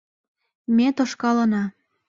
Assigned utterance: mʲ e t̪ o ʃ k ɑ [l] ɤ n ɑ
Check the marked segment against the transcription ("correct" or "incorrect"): correct